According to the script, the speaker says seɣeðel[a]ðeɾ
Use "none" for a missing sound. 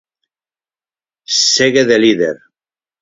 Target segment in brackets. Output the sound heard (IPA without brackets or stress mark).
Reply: i